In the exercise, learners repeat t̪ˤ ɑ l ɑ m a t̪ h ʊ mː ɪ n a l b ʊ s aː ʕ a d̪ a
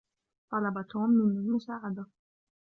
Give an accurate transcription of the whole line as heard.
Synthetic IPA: t̪ˤ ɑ l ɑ b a t̪ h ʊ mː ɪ n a l m ʊ s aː ʕ a d̪ a